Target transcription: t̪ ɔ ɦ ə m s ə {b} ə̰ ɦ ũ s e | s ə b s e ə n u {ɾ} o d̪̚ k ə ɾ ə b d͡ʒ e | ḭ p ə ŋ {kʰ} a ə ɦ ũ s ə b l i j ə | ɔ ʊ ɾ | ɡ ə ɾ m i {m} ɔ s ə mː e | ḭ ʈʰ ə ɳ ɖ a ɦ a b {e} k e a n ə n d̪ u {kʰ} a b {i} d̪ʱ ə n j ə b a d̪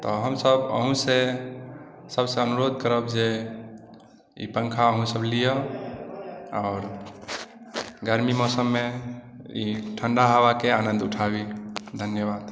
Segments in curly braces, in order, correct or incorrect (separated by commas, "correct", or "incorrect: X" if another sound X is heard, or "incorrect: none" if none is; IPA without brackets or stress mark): correct, correct, correct, correct, incorrect: a, incorrect: ʈʰ, correct